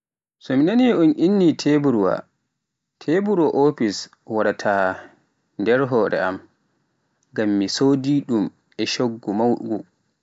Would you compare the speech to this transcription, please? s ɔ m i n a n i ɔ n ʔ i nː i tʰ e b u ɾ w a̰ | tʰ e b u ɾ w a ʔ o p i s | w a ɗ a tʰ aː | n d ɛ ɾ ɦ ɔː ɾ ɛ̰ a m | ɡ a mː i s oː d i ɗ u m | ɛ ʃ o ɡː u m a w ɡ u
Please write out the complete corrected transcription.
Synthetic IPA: s ɔ m i n a n i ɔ n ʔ i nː i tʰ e b u ɾ w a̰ | tʰ e b u ɾ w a ʔ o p i s | w a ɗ a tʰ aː | n d ɛ ɾ ɦ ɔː ɾ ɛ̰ a m | ɡ a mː i s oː d i ɗ u m | ɛ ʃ o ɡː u m a w ɡ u